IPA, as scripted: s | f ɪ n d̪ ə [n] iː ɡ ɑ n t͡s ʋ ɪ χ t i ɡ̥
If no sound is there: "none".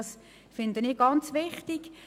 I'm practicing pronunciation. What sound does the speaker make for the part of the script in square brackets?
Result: n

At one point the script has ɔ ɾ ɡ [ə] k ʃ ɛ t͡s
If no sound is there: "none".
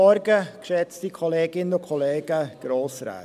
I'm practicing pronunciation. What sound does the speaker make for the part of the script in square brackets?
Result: ə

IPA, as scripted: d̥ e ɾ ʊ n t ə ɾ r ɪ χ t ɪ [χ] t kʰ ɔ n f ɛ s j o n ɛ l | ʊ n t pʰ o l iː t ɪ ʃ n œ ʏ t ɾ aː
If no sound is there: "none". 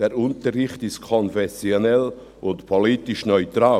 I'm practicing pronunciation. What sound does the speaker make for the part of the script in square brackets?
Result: s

